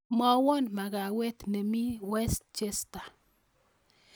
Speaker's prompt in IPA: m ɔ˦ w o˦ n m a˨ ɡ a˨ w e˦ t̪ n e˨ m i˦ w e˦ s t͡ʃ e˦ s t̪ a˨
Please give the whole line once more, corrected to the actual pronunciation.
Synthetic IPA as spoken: m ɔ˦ w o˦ n m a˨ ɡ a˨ w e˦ t̪ n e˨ m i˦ w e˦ s t͡ʃ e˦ s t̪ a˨